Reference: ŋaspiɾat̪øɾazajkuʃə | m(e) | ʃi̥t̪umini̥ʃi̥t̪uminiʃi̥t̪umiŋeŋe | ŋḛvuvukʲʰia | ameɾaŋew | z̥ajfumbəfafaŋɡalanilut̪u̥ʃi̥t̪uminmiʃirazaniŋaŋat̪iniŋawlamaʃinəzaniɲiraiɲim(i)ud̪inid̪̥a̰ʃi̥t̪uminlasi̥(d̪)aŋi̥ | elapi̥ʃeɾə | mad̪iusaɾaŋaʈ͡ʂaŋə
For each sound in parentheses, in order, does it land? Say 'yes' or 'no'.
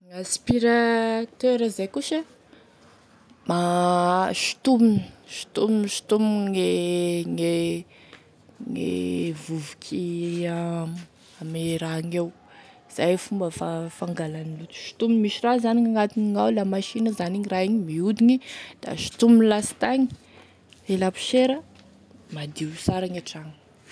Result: no, yes, no

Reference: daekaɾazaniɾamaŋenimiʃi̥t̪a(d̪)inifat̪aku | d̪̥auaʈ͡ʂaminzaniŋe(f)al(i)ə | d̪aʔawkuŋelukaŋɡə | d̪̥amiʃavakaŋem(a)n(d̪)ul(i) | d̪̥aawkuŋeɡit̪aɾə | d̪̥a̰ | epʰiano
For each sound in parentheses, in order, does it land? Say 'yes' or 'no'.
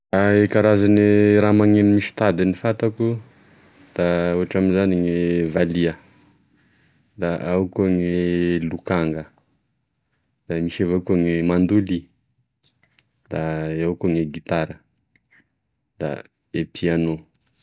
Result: yes, no, yes, yes, yes, yes

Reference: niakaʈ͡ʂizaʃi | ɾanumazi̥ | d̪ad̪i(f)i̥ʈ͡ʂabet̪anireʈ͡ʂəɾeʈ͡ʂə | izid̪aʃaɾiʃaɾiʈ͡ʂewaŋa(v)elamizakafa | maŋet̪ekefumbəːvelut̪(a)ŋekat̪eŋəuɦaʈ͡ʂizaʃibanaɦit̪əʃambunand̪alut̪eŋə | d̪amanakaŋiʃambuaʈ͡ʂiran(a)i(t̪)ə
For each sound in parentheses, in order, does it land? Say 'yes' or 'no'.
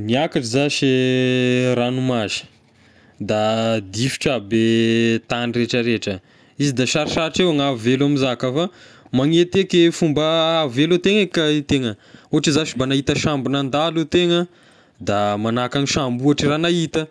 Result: yes, yes, no, yes, yes

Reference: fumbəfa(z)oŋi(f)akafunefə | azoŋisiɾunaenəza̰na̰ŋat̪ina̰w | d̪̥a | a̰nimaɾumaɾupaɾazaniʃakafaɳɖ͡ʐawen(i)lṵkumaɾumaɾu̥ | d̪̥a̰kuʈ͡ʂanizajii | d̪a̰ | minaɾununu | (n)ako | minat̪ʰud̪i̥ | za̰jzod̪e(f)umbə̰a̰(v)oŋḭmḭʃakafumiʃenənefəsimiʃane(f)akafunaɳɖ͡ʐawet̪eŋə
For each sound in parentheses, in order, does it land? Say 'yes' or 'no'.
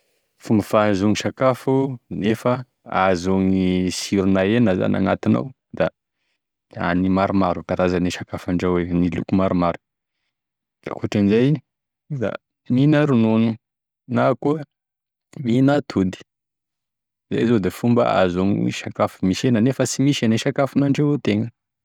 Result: yes, no, yes, yes, yes, no, no

